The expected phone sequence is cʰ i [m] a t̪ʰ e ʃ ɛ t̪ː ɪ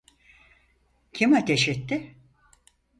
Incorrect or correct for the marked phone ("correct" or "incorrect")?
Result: correct